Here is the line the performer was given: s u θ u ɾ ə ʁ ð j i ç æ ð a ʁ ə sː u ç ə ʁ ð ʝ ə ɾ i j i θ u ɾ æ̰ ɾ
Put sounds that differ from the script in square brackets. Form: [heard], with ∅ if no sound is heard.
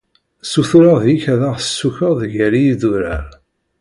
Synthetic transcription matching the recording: s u θ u ɾ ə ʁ ð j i ç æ ð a ʁ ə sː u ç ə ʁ ð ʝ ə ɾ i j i [ð] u ɾ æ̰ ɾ

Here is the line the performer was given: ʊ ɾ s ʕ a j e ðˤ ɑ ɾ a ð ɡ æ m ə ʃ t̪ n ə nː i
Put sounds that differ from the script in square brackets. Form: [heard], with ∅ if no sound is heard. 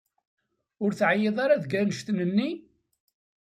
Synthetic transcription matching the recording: ʊ ɾ [θ] ʕ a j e ðˤ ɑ ɾ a ð ɡ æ [n] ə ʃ t̪ n ə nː i

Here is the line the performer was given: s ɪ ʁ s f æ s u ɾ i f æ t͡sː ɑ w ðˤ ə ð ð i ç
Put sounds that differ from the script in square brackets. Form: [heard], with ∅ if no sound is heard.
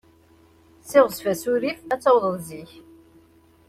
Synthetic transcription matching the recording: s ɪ ʁ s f æ s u ɾ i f æ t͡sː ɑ w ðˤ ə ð [z] i ç

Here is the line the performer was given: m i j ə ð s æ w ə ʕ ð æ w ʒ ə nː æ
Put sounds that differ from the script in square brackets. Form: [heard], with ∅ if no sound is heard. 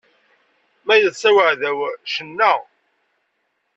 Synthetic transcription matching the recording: m [æ] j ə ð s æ w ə ʕ ð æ w [ʃ] ə nː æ

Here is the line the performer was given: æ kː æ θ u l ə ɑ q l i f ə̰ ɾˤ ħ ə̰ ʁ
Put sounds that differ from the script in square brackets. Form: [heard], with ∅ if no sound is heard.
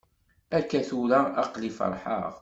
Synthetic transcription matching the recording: æ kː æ θ u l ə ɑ q l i f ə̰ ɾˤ ħ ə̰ ʁ

